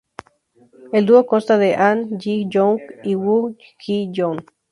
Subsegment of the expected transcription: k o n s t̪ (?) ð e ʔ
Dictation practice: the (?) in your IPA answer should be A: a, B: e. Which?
A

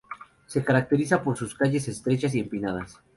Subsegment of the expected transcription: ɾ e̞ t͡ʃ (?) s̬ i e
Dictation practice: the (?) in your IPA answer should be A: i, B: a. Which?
B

